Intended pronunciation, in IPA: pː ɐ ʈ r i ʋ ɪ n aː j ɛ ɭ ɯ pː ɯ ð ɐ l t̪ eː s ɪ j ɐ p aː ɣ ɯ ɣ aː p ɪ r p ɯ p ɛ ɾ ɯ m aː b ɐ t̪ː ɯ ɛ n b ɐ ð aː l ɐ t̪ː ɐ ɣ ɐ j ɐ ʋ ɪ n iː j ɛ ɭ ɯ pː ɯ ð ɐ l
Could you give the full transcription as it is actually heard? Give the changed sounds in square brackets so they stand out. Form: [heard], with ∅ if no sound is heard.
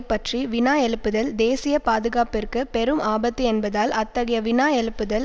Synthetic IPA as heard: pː ɐ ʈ r i ʋ ɪ n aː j ɛ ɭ ɯ pː ɯ ð ɐ l [d̪] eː s ɪ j ɐ p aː [ð] ɯ ɣ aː p ɪ r [k] ɯ p ɛ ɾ ɯ m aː b ɐ t̪ː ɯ ɛ n b ɐ ð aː l ɐ t̪ː ɐ ɣ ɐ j ɐ ʋ ɪ n [aː] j ɛ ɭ ɯ pː ɯ ð ɐ l